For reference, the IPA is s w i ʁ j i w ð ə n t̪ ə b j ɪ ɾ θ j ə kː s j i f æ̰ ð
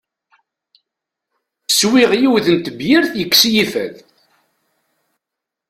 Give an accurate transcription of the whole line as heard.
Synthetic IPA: s w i ʁ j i w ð ə n t̪ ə b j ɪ ɾ θ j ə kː s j i f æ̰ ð